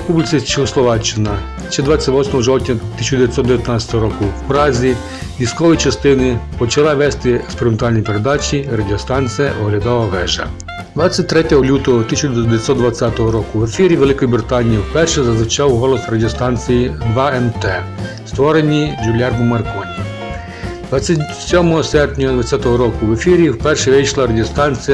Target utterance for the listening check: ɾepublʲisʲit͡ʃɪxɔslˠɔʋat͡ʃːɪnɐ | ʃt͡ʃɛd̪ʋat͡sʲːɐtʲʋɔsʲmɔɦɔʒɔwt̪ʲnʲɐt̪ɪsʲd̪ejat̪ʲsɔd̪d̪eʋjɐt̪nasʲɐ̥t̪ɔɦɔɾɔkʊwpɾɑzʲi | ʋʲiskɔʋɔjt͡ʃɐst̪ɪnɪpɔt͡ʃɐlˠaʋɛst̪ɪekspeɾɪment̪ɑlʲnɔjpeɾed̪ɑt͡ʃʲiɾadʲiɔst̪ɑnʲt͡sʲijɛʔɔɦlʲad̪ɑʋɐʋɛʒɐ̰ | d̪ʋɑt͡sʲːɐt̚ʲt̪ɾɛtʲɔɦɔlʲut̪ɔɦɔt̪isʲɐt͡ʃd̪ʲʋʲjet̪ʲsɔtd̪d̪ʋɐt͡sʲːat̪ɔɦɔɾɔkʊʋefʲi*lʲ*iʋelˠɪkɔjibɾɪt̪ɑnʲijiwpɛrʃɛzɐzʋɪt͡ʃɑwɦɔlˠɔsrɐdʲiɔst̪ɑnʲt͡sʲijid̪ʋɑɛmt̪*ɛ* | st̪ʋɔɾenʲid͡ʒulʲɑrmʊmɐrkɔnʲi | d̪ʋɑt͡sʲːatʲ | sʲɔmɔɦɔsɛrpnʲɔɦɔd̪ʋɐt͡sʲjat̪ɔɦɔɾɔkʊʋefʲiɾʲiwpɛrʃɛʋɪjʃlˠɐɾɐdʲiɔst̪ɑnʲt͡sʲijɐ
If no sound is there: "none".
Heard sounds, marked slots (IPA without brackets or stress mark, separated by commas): ɾʲ, ɛ